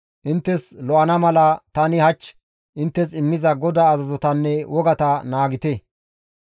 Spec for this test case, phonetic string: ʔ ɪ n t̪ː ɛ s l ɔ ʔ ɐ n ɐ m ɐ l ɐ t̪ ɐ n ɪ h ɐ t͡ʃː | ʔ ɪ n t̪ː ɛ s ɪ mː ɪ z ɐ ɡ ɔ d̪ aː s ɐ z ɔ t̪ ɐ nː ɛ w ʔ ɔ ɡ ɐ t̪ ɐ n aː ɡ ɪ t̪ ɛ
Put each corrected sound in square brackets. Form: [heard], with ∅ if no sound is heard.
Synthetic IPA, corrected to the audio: ʔ ɪ n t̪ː ɛ s l ɔ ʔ ɐ n ɐ m ɐ l ɐ t̪ ɐ n ɪ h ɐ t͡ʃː | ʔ ɪ n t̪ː ɛ s ɪ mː ɪ z ɐ ɡ ɔ d̪ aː [z] ɐ z ɔ t̪ ɐ nː ɛ w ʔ ɔ ɡ ɐ t̪ ɐ n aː ɡ ɪ t̪ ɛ